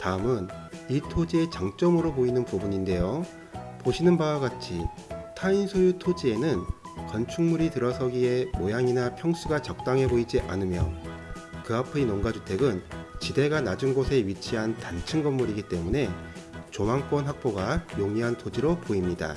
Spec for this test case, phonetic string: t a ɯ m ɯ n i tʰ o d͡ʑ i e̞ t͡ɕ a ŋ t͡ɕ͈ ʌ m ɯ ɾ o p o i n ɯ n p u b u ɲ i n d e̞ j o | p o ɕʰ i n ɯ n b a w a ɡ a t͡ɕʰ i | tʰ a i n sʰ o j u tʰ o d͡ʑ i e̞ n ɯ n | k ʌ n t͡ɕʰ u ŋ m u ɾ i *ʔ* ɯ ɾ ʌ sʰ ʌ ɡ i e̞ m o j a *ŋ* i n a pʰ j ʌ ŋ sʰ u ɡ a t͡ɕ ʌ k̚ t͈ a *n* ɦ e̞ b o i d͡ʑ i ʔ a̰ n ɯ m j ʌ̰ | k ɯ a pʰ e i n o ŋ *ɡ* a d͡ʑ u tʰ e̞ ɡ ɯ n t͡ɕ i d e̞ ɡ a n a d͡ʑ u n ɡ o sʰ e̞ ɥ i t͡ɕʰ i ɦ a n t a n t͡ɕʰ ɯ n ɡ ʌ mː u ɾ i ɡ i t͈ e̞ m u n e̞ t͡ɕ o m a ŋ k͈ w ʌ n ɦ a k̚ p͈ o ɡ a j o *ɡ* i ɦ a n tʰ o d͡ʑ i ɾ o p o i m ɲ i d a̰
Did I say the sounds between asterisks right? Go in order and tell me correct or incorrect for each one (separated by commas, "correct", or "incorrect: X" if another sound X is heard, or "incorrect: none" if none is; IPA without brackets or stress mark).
incorrect: t, correct, incorrect: ŋ, correct, incorrect: ŋ